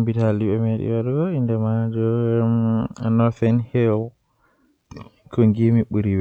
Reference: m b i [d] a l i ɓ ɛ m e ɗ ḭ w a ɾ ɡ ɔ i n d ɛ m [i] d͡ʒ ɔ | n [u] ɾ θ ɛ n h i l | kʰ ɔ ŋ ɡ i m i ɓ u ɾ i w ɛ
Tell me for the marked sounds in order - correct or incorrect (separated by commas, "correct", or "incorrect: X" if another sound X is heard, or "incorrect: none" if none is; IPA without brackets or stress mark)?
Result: incorrect: t, incorrect: a, incorrect: ɔ